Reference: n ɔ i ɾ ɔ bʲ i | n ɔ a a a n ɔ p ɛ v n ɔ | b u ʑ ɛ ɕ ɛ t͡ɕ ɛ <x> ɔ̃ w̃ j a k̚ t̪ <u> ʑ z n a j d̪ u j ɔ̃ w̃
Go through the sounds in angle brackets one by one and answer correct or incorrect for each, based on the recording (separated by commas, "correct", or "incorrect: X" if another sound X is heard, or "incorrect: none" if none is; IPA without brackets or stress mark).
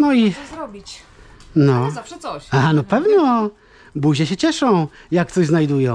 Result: incorrect: ʂ, incorrect: ɔ